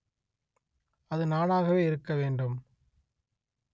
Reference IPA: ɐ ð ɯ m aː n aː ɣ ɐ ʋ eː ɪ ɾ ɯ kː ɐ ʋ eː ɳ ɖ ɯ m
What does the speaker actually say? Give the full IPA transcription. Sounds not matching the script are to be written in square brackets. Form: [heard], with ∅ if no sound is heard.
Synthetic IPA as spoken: ɐ ð ɯ [n] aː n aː ɣ ɐ ʋ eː ɪ ɾ ɯ kː ɐ ʋ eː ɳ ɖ ɯ m

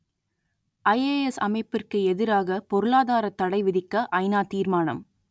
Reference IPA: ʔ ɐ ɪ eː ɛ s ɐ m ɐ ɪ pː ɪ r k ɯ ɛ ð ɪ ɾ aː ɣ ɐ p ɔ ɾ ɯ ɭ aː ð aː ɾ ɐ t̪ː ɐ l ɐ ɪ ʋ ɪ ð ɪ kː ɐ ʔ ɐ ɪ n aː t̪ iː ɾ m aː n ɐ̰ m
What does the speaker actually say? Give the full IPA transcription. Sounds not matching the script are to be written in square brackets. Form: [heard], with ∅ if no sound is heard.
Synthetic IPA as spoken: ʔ ɐ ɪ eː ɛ s ɐ m ɐ ɪ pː ɪ r k ɯ ɛ ð ɪ ɾ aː ɣ ɐ p ɔ ɾ ɯ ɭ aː ð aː ɾ ɐ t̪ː ɐ [ɽ] ɐ ɪ ʋ ɪ ð ɪ kː ɐ ʔ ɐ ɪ n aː t̪ iː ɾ m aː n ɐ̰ m

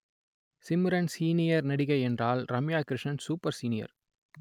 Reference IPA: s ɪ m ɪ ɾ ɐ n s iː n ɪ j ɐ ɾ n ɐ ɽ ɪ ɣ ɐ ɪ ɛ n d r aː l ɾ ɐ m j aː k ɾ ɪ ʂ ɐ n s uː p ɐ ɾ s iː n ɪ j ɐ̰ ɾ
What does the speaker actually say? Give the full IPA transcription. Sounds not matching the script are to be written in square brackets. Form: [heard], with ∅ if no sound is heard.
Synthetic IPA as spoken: s ɪ m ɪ ɾ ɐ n s iː n ɪ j ɐ ɾ n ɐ ɽ ɪ ɣ ɐ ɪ ɛ n d r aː l ɾ ɐ m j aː k ɾ ɪ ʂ ɐ n s uː p ɐ ɾ s iː n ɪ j ɐ̰ ɾ

